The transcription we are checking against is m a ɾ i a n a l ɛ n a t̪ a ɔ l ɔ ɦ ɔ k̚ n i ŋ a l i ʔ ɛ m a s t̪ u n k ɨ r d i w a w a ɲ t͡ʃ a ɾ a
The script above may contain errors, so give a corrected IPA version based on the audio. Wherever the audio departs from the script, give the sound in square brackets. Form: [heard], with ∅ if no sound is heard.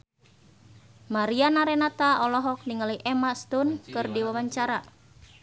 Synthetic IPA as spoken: m a ɾ i a n a [ɾ] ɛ n a t̪ a ɔ l ɔ ɦ ɔ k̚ n i ŋ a l i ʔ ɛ m a s t̪ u n k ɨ r d i w a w a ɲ t͡ʃ a ɾ a